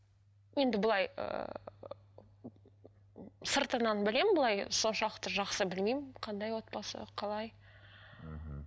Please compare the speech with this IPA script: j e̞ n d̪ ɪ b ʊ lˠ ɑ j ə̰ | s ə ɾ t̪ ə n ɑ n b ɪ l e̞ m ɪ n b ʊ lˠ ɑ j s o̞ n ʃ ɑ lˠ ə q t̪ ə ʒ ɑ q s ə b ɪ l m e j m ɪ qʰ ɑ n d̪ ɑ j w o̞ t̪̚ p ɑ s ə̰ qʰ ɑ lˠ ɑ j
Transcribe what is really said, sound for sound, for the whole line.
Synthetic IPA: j e̞ n d̪ ɪ b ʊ lˠ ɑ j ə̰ | s ə ɾ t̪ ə n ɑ n b ɪ l e̞ m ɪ n b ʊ lˠ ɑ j s o̞ n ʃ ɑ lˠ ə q t̪ ə ʒ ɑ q s ə b ɪ l m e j m ɪ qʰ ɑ n d̪ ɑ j w o̞ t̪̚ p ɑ s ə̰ qʰ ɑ lˠ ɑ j